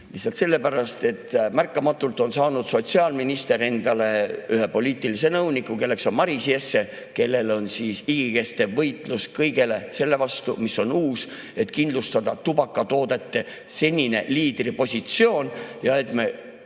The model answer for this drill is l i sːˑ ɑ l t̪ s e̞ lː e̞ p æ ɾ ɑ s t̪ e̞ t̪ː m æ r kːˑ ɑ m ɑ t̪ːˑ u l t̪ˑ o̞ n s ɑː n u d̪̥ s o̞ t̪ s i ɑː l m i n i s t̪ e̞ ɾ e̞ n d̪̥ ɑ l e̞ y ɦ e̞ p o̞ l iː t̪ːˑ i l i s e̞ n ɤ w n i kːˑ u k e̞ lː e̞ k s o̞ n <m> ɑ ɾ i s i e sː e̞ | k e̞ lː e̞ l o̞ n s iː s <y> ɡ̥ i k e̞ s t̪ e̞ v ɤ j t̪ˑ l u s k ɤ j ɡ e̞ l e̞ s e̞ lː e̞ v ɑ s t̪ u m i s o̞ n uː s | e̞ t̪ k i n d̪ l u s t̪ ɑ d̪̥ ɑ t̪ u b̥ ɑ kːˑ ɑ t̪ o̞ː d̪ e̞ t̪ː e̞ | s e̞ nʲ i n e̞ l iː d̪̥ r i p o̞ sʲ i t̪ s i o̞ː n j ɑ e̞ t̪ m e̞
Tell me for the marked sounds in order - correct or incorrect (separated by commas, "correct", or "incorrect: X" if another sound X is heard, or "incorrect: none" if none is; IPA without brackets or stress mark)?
correct, incorrect: i